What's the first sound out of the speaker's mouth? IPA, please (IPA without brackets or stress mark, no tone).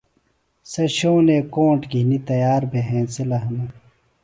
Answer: s